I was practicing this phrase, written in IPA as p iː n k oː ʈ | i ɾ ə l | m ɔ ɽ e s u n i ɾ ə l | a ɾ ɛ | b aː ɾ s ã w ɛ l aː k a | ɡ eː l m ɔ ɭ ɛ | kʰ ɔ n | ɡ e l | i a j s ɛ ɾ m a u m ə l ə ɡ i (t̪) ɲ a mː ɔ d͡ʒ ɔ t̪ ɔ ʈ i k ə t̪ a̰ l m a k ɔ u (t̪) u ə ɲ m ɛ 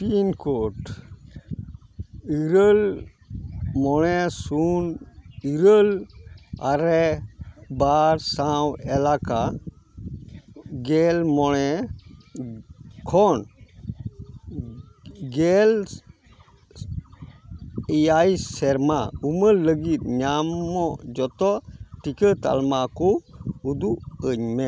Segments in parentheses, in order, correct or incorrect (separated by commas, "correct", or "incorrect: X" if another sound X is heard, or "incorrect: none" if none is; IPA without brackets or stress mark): correct, incorrect: d̪